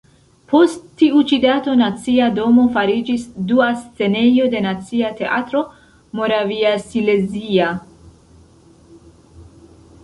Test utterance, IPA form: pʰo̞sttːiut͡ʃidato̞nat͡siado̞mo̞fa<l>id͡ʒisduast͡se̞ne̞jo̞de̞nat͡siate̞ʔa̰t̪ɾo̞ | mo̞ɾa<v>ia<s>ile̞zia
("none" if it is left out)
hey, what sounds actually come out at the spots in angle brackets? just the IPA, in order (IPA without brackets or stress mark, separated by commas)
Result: ɾ, v, s